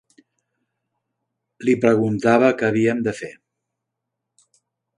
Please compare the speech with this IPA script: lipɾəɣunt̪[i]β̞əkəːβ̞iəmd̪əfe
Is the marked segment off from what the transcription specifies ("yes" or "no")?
yes